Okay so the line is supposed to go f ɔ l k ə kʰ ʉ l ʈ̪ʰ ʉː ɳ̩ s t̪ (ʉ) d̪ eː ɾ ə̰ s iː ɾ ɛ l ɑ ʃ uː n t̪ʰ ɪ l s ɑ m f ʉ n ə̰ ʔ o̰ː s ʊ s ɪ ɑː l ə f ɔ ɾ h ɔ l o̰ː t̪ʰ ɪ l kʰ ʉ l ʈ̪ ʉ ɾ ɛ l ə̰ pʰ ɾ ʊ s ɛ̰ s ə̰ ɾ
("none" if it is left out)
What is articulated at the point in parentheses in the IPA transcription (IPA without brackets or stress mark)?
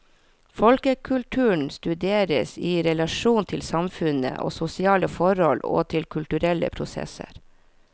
ʉ